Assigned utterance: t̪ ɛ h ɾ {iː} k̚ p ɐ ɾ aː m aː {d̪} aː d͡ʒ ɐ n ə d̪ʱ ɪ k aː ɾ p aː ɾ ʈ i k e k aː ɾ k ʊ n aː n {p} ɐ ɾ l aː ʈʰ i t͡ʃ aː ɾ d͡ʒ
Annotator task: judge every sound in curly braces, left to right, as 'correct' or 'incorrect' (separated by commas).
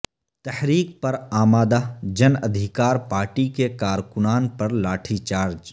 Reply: correct, correct, correct